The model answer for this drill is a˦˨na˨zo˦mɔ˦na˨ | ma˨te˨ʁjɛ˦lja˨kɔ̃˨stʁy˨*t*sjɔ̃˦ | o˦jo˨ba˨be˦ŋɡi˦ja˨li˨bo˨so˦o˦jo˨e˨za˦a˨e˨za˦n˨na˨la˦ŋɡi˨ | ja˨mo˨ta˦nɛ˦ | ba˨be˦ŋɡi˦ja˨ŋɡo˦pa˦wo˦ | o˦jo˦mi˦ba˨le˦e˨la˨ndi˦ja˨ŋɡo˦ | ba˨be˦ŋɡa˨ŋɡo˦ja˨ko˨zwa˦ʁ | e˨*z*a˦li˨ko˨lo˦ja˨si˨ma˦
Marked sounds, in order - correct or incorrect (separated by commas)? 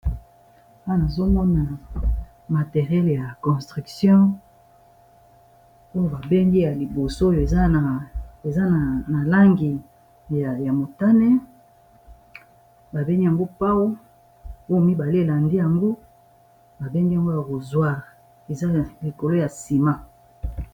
incorrect, correct